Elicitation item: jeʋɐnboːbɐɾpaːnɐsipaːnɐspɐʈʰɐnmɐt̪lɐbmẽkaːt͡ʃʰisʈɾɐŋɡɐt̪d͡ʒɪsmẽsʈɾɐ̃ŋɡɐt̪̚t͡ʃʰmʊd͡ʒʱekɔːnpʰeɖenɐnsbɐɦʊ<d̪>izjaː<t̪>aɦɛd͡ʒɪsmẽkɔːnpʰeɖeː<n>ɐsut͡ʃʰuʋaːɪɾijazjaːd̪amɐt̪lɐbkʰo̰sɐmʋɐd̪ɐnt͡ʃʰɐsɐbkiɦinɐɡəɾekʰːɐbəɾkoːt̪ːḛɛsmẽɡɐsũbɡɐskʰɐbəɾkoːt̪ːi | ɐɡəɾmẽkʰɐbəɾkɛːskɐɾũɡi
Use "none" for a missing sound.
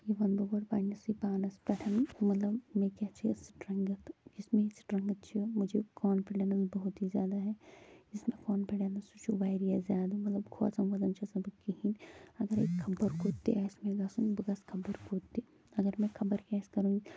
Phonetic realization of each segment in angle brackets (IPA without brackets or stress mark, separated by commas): t̪, d̪, n